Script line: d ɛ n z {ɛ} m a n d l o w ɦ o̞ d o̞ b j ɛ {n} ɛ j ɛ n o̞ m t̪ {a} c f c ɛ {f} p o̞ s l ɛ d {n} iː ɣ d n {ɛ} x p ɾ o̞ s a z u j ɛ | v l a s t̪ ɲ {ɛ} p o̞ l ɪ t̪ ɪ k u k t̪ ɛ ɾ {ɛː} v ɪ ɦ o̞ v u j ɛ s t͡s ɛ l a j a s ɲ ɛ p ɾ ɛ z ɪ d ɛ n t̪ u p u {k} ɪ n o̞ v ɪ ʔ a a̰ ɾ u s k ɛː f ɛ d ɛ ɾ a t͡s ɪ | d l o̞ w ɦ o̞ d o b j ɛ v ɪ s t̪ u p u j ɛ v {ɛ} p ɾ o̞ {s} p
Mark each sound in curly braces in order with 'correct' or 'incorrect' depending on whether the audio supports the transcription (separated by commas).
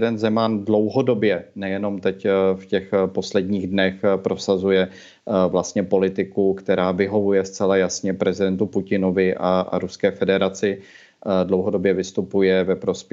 correct, correct, incorrect, incorrect, incorrect, correct, correct, incorrect, incorrect, correct, correct